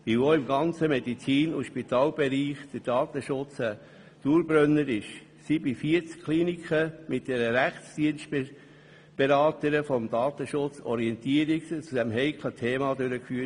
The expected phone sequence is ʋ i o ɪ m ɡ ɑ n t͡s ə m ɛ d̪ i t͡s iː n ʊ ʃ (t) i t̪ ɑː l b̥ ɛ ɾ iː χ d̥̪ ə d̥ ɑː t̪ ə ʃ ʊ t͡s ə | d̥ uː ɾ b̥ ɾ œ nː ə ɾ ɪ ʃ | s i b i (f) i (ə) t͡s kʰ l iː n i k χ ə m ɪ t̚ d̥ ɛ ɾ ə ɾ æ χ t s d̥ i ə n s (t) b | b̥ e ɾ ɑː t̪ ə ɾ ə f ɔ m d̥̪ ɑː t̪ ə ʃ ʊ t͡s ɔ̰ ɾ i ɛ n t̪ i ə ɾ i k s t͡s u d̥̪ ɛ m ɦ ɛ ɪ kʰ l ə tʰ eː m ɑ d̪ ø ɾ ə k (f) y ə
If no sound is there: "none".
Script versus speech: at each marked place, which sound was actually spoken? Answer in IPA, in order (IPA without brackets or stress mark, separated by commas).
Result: p, f, ə, t, f